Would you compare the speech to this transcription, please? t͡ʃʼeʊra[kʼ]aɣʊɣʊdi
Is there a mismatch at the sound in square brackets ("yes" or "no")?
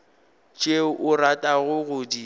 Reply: yes